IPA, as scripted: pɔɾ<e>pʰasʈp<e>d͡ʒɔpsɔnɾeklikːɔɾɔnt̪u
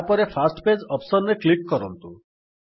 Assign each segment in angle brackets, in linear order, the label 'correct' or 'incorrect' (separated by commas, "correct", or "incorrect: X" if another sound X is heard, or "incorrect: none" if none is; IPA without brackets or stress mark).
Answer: correct, correct